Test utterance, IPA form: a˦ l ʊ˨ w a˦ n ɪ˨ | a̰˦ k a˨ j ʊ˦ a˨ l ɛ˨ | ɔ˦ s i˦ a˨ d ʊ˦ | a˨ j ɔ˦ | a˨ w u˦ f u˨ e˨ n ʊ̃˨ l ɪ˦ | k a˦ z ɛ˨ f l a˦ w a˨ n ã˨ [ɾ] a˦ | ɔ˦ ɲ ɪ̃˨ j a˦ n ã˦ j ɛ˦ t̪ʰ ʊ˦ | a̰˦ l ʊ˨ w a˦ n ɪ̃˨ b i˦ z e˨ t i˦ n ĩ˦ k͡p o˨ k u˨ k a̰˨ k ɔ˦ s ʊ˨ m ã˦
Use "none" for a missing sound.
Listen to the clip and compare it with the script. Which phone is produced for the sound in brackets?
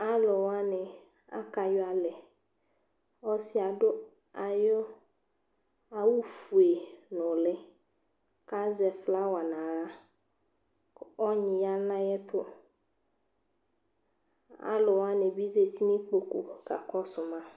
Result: ɾ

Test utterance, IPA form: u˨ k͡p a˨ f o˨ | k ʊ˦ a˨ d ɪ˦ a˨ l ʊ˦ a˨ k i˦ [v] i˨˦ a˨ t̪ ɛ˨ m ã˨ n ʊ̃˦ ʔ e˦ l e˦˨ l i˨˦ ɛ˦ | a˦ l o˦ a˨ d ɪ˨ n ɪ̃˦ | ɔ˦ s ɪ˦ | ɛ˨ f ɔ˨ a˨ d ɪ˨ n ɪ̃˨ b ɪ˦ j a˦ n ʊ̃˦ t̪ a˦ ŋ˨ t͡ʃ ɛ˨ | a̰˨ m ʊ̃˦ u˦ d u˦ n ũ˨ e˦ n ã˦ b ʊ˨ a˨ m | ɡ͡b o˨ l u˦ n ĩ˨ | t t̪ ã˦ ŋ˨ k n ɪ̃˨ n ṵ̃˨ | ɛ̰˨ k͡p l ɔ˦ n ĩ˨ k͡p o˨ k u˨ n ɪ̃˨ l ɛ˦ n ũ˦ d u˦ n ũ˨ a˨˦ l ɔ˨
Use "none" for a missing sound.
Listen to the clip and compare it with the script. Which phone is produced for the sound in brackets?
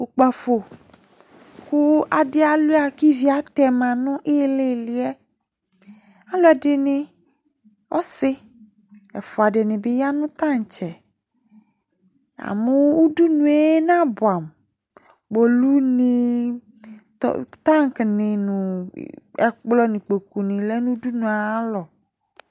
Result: v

